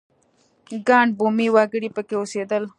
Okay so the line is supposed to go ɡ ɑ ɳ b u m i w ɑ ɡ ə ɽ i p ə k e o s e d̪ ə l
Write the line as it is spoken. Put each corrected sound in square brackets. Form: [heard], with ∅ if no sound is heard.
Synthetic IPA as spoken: ɡ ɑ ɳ b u m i w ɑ ɡ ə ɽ i p ə k e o s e d̪ ə l